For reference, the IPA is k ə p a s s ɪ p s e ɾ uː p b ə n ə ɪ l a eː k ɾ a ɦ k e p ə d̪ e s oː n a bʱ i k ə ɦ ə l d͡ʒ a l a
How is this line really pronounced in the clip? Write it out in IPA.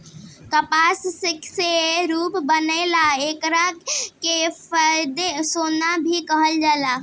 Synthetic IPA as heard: k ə p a s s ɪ k s e ɾ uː p b ə n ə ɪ l a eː k ɾ a k e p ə d̪ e s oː n a bʱ i k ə ɦ ə l d͡ʒ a l a